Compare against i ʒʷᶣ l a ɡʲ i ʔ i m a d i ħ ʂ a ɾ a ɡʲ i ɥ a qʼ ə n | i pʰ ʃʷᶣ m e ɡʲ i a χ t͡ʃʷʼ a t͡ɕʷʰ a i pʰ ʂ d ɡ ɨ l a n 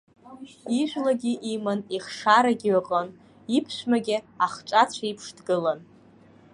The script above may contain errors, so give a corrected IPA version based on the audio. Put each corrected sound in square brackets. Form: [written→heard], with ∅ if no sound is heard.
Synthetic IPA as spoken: i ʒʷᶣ l a ɡʲ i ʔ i m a [d→n] i [ħ→χ] ʂ a ɾ a ɡʲ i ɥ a qʼ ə n | i pʰ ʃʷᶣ m [e→a] ɡʲ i a χ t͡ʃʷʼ a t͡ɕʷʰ a i pʰ ʂ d ɡ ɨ l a n